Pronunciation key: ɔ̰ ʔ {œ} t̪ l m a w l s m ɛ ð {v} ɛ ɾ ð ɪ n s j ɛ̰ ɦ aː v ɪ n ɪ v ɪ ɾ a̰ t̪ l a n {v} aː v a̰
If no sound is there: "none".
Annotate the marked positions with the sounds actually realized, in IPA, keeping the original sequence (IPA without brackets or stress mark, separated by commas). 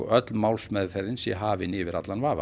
œ, f, v